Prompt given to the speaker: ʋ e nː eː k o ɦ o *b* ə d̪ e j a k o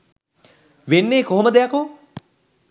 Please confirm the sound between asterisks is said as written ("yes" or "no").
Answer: no